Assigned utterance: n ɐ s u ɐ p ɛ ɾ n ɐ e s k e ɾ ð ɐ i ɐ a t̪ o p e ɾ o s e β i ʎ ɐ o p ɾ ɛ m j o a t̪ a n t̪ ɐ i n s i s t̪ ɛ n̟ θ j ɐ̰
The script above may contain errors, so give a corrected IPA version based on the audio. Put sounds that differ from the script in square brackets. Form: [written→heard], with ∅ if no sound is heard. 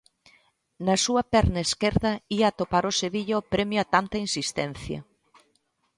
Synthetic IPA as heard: n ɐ s u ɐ p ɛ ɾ n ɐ e s k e ɾ ð ɐ i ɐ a t̪ o p [e→a] ɾ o s e β i ʎ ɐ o p ɾ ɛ m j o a t̪ a n t̪ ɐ i n s i s t̪ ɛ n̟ θ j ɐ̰